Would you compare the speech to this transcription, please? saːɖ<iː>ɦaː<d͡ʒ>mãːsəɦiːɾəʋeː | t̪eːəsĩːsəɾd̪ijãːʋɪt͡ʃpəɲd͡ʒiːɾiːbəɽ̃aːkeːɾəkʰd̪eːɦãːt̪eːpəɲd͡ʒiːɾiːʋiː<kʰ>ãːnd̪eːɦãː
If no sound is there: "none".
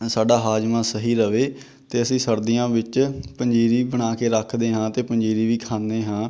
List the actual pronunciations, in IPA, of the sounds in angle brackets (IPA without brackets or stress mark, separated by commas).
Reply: aː, d͡ʒ, kʰ